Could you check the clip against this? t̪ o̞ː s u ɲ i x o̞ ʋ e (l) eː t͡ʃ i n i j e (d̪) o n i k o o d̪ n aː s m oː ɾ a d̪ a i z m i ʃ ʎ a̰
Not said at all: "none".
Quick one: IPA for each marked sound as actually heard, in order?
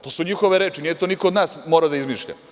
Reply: ɾ, t̪

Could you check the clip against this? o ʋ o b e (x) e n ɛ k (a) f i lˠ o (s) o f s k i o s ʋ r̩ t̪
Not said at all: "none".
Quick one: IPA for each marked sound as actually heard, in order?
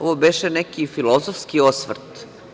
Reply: ʃ, i, z

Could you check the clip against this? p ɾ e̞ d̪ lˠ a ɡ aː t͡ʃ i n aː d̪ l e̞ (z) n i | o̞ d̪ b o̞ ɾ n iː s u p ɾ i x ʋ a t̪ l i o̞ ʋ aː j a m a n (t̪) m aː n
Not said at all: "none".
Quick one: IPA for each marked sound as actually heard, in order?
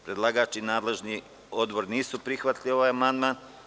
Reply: ʒ, d̪

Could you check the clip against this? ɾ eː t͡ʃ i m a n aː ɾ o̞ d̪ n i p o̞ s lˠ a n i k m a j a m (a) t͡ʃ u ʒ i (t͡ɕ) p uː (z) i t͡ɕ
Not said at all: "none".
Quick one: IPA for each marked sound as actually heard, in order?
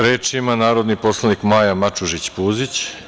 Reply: a, t͡ɕ, z

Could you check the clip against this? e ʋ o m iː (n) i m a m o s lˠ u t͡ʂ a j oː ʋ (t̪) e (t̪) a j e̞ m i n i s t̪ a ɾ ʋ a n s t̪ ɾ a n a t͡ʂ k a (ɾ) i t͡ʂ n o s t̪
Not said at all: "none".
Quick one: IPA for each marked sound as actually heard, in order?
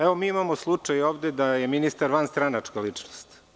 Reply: none, d̪, d̪, l

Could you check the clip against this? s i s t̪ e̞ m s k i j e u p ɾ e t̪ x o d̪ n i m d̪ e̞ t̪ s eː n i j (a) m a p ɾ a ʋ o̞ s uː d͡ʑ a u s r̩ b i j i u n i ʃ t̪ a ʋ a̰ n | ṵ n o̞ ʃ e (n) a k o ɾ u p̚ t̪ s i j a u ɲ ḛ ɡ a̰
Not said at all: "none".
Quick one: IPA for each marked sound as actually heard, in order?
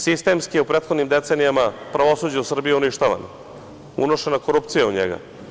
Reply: a, n

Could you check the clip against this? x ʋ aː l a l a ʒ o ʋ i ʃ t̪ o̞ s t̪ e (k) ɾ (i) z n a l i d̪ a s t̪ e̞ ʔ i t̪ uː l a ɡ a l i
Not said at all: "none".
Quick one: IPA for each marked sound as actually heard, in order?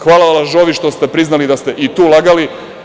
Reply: p, i

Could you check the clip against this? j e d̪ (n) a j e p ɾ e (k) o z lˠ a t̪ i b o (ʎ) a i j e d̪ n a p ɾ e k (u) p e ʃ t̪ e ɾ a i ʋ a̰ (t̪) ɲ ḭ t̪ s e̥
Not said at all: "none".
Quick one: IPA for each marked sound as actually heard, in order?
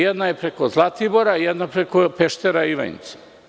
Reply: n, k, ɾ, o, none

